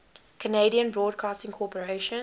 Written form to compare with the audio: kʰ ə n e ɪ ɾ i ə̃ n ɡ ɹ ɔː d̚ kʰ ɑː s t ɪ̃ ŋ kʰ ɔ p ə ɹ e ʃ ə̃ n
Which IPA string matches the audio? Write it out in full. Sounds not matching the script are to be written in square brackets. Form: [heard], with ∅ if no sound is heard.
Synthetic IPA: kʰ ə n e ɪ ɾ i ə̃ n [b] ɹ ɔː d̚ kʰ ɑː s t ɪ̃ ŋ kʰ ɔ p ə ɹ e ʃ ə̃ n

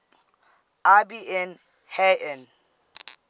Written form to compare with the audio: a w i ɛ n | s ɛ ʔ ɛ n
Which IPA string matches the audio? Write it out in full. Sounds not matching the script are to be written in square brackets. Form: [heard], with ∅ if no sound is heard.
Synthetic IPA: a [b] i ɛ n | [h] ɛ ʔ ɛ n

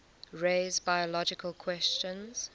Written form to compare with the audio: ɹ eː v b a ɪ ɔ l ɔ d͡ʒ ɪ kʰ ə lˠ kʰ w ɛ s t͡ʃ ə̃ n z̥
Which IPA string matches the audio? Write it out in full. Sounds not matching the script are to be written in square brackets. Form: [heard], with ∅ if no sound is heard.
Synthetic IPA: ɹ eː [z] b a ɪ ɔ l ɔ d͡ʒ ɪ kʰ ə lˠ kʰ w ɛ s t͡ʃ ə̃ n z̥

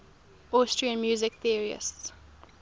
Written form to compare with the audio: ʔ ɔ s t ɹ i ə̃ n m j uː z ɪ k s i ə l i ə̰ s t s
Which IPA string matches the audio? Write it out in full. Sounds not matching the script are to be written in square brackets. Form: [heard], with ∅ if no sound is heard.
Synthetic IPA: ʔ ɔ s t ɹ i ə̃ n m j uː z ɪ k [θ] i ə [ɹ] i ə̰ s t s

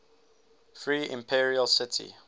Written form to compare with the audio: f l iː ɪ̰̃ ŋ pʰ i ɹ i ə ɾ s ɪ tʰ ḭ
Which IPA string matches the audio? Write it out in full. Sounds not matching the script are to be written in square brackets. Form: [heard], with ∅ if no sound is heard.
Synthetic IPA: f [ɹ] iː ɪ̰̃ [m] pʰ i ɹ i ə [l] s ɪ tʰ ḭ

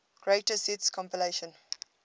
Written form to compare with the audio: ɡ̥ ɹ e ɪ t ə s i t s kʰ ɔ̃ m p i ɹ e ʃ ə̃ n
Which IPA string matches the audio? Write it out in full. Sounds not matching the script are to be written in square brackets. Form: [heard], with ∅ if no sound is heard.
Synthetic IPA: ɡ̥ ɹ e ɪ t ə s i t s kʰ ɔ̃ m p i [l] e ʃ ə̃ n

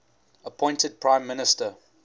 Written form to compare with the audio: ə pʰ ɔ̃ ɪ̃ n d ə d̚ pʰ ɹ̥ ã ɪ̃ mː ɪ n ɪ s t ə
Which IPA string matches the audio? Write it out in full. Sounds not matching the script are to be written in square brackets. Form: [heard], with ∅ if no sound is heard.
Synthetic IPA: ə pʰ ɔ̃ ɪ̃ n [t] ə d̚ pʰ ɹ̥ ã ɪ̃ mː ɪ n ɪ s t ə

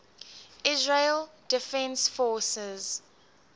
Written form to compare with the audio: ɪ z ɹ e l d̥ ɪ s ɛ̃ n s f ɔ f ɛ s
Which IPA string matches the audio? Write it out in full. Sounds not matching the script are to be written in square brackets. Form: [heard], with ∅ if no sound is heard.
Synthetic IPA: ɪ z ɹ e l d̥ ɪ [f] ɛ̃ n s f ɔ [s] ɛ [z]

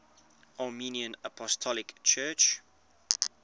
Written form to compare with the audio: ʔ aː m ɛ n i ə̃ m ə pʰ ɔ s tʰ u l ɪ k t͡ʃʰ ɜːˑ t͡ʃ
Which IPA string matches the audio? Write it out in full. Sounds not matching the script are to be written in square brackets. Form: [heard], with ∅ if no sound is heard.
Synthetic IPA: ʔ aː m [i] n i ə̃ [n] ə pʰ ɔ s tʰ [ɔ] l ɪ k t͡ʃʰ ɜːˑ t͡ʃ

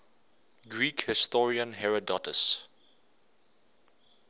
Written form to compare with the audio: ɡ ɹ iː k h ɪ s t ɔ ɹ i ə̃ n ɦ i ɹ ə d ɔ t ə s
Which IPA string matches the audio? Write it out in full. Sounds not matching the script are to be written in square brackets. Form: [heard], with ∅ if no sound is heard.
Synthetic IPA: ɡ ɹ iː k h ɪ s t ɔ ɹ i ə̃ n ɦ [ɛ] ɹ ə d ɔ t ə s

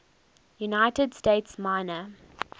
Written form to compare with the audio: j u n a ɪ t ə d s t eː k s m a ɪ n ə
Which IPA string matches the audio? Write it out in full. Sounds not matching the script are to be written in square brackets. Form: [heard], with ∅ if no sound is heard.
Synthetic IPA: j u n a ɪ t ə d s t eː [t] s m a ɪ n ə

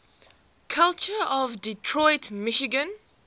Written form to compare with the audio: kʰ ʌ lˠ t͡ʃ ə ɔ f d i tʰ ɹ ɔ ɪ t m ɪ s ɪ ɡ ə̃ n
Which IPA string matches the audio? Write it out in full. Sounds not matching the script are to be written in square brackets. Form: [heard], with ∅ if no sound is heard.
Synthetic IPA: kʰ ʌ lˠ t͡ʃ ə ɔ [v] d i tʰ ɹ ɔ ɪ t m ɪ [ʃ] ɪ ɡ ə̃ n

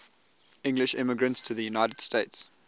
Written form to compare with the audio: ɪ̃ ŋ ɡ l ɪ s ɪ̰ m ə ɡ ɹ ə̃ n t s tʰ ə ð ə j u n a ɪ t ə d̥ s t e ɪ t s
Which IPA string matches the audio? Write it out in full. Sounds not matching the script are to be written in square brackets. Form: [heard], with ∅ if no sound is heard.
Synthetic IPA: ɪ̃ ŋ ɡ l ɪ [ʃ] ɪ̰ m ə ɡ ɹ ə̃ n t s tʰ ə ð ə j u n a ɪ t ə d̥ s t e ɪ t s

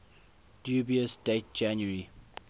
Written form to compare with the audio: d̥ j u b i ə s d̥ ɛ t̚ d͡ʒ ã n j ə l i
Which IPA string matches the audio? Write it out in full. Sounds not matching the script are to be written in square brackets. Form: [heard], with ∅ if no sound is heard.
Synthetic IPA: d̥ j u b i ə s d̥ [e] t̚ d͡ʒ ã n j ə [ɹ] i

